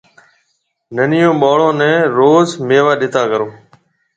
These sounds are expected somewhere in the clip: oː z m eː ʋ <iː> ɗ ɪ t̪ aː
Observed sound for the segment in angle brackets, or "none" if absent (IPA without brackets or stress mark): aː